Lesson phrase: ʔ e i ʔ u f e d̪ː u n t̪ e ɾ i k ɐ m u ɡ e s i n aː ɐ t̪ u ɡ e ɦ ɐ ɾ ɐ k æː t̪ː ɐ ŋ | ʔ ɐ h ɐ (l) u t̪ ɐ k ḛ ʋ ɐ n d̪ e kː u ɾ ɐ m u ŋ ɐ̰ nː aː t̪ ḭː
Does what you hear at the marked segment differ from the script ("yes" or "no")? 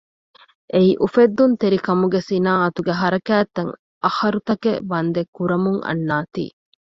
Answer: yes